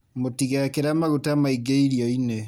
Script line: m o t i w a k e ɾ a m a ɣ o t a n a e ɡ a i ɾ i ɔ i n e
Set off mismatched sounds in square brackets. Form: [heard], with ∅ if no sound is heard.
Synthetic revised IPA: m o t i [ɣ] a k e ɾ a m a ɣ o t a [m] a [i] ɡ [e] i ɾ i ɔ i n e